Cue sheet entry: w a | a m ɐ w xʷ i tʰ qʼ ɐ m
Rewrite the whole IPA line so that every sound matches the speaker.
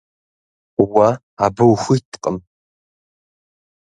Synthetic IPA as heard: w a | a b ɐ w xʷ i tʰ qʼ ə m